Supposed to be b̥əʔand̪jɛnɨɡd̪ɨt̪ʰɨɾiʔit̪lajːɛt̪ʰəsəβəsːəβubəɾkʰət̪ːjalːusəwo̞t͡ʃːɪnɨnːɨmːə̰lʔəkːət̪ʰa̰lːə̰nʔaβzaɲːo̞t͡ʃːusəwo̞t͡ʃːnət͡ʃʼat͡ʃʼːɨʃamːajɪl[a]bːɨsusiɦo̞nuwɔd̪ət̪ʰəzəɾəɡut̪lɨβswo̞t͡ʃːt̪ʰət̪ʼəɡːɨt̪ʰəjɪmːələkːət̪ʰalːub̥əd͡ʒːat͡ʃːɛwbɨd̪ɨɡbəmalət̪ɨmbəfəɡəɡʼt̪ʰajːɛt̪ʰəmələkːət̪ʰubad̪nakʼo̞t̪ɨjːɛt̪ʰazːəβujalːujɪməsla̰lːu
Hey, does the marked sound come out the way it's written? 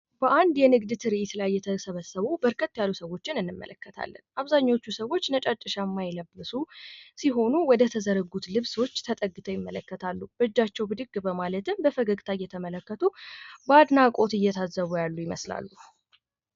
no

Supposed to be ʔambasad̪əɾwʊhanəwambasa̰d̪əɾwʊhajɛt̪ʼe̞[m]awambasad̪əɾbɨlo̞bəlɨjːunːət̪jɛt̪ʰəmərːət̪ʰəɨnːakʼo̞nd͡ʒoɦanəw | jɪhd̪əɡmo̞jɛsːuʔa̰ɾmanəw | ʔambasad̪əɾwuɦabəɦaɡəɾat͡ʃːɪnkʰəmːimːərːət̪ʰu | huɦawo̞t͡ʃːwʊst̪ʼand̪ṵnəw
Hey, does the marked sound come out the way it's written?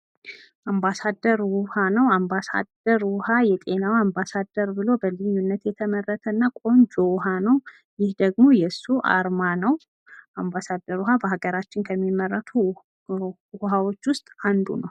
no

